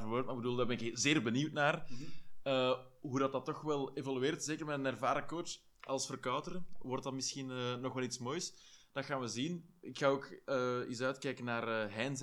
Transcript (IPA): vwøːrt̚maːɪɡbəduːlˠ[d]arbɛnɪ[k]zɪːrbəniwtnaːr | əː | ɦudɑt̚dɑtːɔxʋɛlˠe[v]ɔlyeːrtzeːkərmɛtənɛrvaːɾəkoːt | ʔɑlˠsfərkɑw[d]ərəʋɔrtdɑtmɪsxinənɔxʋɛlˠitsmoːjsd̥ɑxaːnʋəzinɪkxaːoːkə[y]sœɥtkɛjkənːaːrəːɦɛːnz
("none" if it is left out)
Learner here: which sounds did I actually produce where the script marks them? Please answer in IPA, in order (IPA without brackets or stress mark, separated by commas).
d, k, v, t, i